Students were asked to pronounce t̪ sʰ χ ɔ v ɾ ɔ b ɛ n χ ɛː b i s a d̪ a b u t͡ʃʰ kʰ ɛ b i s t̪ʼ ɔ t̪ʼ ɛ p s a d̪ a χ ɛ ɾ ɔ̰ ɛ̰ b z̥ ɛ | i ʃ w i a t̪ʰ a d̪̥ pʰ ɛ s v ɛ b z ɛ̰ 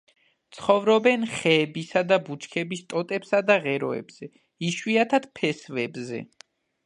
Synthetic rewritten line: t̪ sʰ χ ɔ v ɾ ɔ b ɛ n χ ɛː b i s a d̪ a b u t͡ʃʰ kʰ ɛ b i s t̪ʼ ɔ t̪ʼ ɛ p s a d̪ a ʁ ɛ ɾ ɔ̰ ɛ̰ b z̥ ɛ | i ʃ w i a t̪ʰ a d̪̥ pʰ ɛ s v ɛ b z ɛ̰